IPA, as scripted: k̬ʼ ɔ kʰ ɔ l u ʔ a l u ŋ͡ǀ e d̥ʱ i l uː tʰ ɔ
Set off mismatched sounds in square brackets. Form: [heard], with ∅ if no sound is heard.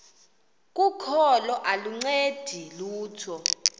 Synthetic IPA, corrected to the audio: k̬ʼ [u] kʰ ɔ l [ɔ] ʔ a l u ŋ͡ǀ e d̥ʱ i l uː tʰ ɔ